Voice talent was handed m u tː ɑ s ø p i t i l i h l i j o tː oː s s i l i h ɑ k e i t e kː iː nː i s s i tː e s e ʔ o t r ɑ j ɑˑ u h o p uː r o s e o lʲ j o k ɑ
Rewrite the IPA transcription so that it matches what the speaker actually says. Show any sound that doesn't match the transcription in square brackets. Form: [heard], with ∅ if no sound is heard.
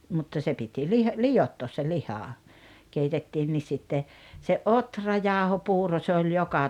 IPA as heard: m u tː ɑ s [e] p i t i l i h l i j o tː oː s s [e] l i h ɑ k e i t e [tː] iː nː i s s i tː e s e ʔ o t r ɑ j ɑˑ [o] h o p uː r o s e o lʲ j o k ɑ